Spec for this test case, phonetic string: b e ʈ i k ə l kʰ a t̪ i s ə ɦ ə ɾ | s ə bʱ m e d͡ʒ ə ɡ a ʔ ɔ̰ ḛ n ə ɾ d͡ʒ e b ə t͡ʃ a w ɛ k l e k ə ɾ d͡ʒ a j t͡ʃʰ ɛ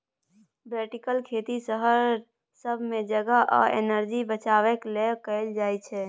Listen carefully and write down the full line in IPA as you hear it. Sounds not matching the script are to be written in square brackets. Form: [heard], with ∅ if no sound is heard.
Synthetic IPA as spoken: b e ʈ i k ə l kʰ [e] t̪ i s ə ɦ ə ɾ | s ə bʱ m e d͡ʒ ə ɡ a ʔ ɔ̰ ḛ n ə ɾ d͡ʒ [i] b ə t͡ʃ a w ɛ k l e k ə [l] d͡ʒ a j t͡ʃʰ ɛ